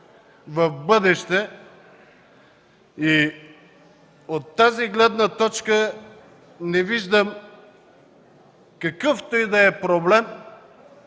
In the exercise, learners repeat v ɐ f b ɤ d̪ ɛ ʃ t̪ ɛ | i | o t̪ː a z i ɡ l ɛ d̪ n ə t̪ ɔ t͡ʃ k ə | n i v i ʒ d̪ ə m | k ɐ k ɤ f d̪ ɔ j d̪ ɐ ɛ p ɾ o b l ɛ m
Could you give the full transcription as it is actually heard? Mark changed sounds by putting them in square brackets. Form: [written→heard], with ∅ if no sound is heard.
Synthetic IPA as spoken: v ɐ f b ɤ d̪ ɛ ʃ t̪ ɛ | i | o t̪ː a z i ɡ l ɛ d̪ n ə t̪ ɔ t͡ʃ k ə | n [i→ɛ] v i ʒ d̪ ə m | k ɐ k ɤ f [d̪→t̪] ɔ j d̪ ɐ ɛ p ɾ o b l ɛ m

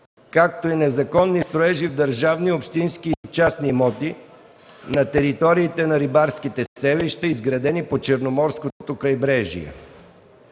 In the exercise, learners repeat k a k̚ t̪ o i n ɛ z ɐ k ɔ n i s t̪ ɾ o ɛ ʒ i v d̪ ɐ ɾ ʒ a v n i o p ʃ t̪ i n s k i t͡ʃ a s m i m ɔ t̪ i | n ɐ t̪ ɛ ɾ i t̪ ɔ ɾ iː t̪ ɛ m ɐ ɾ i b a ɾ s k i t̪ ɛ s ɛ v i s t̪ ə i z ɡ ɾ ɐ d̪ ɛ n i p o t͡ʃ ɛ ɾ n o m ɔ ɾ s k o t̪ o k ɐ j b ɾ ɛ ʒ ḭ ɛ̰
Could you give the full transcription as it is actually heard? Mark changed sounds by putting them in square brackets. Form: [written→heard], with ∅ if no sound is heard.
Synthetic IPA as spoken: k a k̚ t̪ o i n ɛ z ɐ k ɔ [n→nː] i s t̪ ɾ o ɛ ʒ i v d̪ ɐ ɾ ʒ a v n i o p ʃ t̪ i n s k i t͡ʃ a s [m→n] i m ɔ t̪ i | n ɐ t̪ ɛ ɾ i t̪ ɔ ɾ iː t̪ ɛ [m→n] ɐ ɾ i b a ɾ s k i t̪ ɛ s ɛ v i [s→ʃ] t̪ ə i z ɡ ɾ ɐ d̪ ɛ n i p o t͡ʃ ɛ ɾ n o m ɔ ɾ s k o t̪ o k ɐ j b ɾ ɛ ʒ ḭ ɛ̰

